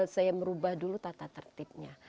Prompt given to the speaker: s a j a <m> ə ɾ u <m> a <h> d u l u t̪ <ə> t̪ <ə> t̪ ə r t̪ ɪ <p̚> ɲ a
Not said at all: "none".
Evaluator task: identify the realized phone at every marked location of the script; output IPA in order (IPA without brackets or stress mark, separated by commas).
m, b, h, a, a, p̚